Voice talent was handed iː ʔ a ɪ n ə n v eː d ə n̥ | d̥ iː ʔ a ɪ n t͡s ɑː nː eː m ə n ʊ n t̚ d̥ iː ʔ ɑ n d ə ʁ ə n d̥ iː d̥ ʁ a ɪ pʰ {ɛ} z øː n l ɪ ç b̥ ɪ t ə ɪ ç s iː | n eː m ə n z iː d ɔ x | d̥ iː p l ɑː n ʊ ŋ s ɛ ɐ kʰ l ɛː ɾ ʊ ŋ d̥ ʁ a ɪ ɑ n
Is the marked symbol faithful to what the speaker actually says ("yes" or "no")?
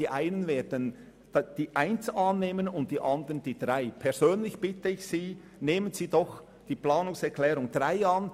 yes